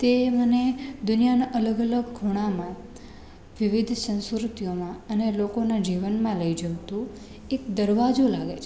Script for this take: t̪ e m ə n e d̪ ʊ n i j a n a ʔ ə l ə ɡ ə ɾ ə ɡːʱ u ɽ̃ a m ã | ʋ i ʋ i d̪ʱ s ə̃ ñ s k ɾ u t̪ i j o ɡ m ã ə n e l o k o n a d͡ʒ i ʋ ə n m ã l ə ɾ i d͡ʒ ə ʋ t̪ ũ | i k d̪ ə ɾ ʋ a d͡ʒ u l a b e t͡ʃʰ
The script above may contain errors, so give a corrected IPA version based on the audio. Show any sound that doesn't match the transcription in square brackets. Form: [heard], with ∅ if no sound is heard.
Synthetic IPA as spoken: t̪ e m ə n e d̪ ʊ n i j a n a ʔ ə l ə ɡ ə [l] ə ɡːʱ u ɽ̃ a m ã | ʋ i ʋ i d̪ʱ s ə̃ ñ s k ɾ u t̪ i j o [∅] m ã ə n e l o k o n a d͡ʒ i ʋ ə n m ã l ə [∅] i d͡ʒ ə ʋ t̪ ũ | [e] k d̪ ə ɾ ʋ a d͡ʒ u l a [ɡ] e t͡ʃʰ